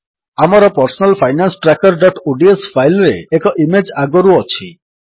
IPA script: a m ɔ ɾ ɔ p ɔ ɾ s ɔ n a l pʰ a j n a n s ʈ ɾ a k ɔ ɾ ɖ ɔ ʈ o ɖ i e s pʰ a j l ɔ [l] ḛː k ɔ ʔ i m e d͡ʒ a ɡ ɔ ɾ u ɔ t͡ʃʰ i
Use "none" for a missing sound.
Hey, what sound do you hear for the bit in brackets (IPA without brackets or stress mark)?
ɾ